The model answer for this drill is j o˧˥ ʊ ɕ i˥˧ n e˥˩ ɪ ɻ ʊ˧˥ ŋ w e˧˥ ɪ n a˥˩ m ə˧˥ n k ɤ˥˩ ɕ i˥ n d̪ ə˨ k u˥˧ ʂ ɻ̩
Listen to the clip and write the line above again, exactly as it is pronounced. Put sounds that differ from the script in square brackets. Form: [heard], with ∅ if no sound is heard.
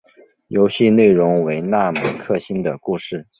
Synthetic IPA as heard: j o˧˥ ʊ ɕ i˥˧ n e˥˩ ɪ ɻ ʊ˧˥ ŋ w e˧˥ ɪ n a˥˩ m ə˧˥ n [kʰ] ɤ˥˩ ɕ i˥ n d̪ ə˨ k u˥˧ ʂ ɻ̩